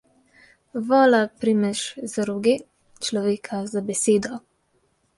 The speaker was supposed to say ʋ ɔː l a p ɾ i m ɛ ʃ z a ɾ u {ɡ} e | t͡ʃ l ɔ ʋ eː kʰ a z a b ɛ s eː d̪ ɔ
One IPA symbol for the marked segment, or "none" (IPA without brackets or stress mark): ɡ